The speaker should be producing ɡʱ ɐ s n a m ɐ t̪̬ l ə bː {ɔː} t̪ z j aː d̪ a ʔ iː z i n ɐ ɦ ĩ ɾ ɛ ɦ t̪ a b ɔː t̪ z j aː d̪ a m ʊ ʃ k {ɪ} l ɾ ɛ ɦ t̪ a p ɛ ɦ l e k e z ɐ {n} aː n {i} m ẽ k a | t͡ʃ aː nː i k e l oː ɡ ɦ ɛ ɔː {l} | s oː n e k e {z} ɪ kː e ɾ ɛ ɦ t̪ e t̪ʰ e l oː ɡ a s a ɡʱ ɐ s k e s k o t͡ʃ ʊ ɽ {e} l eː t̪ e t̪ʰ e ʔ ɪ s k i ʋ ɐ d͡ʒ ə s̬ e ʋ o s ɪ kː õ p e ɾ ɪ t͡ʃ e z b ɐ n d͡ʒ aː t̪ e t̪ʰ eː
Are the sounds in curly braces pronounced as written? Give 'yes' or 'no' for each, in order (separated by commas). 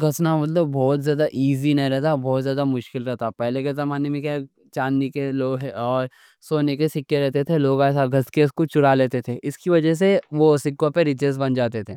yes, yes, no, no, no, no, no